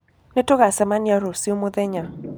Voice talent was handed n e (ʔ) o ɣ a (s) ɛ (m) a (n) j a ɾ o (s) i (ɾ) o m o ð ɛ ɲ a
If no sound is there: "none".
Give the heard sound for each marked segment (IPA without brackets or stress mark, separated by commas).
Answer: t, s, m, n, s, none